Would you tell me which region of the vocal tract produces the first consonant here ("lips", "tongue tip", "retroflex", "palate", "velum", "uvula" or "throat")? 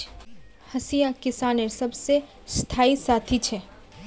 throat